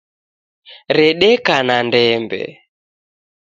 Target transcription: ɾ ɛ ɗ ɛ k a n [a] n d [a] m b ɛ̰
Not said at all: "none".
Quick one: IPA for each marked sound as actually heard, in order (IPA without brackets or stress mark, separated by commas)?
a, ɛ